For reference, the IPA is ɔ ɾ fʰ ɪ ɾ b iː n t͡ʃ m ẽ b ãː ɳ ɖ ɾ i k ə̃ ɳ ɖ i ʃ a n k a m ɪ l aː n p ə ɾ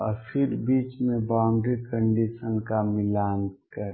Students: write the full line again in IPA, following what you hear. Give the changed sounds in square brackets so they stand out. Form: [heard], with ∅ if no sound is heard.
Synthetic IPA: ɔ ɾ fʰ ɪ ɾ b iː [∅] t͡ʃ m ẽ b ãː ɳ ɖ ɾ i k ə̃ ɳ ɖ i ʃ [ə] n k a m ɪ l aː n [k] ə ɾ